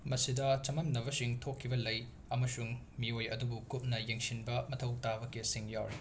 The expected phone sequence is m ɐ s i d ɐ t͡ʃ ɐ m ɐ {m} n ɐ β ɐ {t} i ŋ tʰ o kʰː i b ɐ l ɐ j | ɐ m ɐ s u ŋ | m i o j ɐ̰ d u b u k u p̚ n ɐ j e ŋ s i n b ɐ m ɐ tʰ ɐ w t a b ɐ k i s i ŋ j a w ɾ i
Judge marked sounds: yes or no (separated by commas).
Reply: yes, no